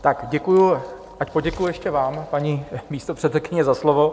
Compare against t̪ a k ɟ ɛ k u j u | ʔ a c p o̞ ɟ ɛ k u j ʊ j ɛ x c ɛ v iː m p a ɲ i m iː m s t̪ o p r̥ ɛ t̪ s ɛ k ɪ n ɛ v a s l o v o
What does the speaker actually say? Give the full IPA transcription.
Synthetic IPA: t̪ a k ɟ ɛ k u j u | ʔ a c p o̞ ɟ ɛ k u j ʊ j ɛ ʃ c ɛ v aː m p a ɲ i m iː s t̪ o p r̥ ɛ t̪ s ɛ k ɪ ɲ ɛ z a s l o v o